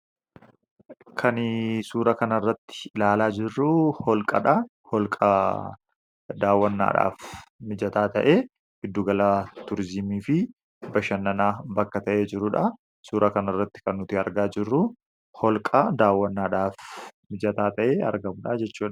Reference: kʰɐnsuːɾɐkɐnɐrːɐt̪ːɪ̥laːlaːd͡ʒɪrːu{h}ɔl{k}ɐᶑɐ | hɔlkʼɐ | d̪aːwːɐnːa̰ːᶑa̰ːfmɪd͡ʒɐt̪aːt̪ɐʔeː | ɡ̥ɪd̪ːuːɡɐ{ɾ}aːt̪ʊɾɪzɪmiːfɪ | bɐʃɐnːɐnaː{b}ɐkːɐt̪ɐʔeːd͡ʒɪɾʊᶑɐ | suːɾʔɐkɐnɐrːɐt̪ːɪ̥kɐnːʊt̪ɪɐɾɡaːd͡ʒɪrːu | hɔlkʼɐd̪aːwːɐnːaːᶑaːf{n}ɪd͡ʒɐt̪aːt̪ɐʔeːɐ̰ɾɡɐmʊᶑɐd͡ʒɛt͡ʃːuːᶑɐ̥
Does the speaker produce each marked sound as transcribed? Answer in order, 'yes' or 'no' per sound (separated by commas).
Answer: yes, no, no, yes, no